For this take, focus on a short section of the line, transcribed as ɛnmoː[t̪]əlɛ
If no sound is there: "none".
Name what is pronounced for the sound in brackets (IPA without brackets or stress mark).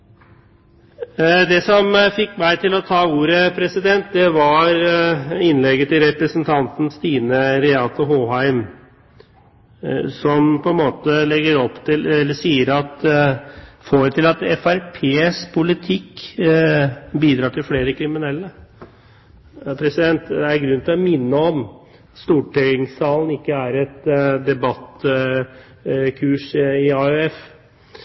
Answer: t̪